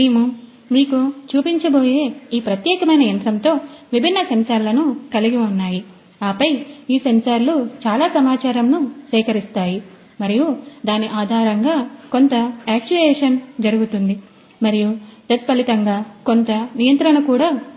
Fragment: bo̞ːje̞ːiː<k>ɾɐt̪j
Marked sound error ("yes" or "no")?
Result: yes